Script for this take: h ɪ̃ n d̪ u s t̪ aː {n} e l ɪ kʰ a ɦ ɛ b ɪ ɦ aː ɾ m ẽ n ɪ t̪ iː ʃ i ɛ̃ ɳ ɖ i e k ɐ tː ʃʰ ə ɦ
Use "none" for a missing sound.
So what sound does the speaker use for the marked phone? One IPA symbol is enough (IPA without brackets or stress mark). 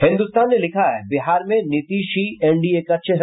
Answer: nː